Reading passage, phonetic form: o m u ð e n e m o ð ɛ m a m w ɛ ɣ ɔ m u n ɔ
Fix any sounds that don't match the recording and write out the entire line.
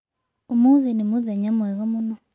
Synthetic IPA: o m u ð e n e m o ð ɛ ɲ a m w ɛ ɣ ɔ m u n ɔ